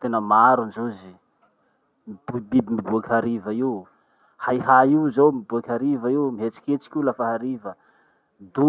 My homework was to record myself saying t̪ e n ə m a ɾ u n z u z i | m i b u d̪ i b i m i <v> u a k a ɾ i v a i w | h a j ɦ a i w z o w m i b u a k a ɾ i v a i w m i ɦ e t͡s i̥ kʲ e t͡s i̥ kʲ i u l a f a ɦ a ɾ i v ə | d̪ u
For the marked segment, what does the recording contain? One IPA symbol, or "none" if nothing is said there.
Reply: b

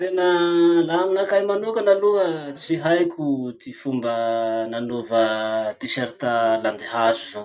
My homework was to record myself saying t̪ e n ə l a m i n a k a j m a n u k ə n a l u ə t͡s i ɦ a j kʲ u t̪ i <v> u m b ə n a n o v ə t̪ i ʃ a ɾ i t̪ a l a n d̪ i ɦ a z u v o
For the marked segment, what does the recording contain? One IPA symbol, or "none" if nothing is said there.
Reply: f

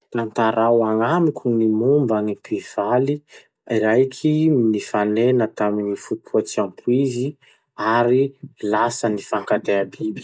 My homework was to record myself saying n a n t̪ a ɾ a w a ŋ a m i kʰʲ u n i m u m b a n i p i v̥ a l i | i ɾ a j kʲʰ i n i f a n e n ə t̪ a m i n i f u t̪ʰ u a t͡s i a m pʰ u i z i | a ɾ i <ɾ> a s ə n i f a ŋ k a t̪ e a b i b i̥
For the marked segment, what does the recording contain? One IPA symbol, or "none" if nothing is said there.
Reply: l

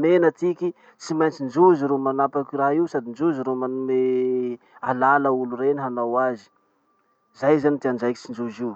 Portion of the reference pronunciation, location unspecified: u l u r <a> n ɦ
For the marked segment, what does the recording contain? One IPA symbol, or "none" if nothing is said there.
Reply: e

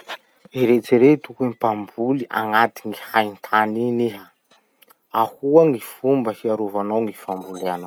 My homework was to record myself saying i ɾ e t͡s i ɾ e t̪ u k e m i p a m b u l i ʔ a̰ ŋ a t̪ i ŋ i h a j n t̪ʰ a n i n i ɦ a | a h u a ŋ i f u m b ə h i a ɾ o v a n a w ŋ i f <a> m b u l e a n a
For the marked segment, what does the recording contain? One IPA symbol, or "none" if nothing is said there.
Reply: a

